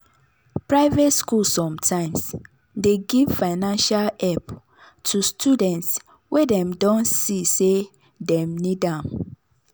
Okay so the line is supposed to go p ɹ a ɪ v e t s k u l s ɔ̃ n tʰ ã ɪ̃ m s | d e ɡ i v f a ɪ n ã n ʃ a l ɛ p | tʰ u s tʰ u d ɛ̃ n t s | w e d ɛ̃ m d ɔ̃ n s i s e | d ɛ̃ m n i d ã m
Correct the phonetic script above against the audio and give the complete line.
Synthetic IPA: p ɹ a ɪ v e t s k u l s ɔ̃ m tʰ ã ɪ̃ m s | d e ɡ i v f a ɪ n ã n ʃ a l ɛ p | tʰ u s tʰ u d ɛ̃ n t s | w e d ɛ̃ m d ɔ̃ n s i s e | d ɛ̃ m n i d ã m